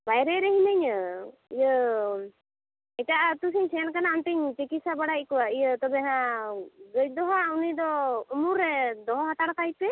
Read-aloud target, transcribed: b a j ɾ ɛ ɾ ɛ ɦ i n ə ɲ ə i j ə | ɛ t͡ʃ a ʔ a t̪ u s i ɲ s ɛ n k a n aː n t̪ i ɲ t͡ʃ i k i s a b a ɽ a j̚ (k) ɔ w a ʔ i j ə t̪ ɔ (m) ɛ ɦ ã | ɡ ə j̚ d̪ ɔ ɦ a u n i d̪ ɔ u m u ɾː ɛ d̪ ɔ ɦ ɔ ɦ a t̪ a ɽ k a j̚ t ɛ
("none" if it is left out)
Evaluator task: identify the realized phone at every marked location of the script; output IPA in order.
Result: k, b

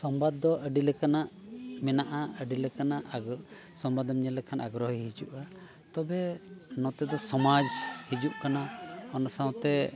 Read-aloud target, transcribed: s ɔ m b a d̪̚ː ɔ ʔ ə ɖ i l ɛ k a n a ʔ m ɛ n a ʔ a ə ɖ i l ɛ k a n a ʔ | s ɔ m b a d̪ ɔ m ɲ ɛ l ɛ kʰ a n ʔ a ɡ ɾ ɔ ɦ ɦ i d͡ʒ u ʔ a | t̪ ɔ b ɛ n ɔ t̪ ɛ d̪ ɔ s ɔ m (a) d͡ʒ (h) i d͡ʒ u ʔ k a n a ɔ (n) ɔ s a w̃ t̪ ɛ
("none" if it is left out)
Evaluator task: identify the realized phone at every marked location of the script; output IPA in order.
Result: a, h, n

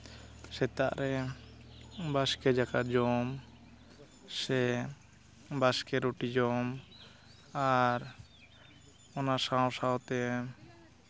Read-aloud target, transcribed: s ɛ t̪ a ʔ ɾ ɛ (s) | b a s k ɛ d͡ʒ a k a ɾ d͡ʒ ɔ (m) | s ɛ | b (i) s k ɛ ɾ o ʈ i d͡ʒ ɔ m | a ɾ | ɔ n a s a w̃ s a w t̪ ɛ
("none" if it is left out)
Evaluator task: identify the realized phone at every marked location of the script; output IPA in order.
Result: none, m, a

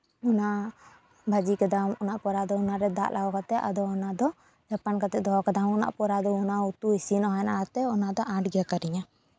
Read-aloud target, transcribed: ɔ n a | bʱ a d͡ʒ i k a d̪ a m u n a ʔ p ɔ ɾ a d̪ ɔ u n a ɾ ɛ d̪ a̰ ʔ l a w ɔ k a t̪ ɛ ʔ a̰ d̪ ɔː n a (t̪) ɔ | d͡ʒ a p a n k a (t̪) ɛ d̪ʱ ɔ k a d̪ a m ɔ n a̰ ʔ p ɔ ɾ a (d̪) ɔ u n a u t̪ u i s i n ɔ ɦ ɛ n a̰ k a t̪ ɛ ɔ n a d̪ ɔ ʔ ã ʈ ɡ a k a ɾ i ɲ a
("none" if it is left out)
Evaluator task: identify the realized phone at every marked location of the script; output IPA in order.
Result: d̪, t̪, d̪

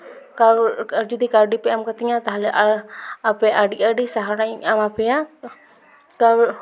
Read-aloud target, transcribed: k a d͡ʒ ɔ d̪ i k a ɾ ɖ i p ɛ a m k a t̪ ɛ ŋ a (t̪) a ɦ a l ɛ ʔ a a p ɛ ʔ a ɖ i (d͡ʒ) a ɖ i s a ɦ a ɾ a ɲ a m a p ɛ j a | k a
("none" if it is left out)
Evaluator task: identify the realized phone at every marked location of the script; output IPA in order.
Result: t̪, none

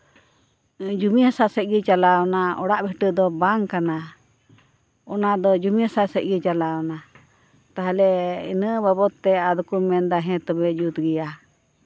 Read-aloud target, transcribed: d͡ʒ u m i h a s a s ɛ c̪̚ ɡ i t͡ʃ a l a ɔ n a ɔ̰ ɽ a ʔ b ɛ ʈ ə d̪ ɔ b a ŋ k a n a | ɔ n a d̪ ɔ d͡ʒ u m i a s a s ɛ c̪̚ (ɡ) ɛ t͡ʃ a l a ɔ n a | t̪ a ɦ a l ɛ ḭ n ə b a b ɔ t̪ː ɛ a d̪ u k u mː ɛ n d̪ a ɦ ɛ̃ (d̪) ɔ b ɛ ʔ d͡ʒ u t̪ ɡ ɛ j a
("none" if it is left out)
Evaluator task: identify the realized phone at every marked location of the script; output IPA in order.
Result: ɡ, t̪

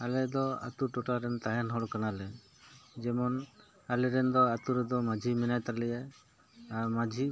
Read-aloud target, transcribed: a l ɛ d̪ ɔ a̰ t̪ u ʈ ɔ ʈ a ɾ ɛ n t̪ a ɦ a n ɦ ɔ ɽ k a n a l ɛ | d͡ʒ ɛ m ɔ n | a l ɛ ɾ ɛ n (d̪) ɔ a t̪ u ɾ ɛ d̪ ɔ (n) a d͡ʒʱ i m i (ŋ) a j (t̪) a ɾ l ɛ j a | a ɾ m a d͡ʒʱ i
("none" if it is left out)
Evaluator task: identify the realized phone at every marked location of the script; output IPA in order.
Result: d̪, m, n, t̪

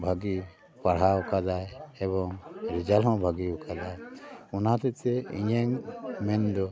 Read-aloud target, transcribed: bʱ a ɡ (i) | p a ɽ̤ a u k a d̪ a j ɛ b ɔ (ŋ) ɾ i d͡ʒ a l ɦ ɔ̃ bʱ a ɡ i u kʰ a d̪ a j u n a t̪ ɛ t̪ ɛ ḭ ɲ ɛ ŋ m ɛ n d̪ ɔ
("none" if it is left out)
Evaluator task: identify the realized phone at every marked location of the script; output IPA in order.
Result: i, ŋ

